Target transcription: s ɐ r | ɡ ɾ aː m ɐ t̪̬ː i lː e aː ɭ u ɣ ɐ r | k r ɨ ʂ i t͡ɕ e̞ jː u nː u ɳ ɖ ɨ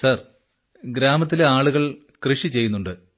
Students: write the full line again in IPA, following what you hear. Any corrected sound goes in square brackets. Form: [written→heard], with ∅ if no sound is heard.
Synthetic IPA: s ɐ r | ɡ ɾ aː m ɐ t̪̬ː i [lː→l] e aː ɭ u ɣ ɐ [r→ɭ] | k r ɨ ʂ i t͡ɕ e̞ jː u nː u ɳ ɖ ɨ